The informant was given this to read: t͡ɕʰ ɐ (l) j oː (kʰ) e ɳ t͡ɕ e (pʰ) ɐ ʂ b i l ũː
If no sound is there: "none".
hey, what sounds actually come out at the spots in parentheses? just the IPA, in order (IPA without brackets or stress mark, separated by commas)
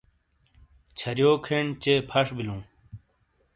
ɾ, kʰ, pʰ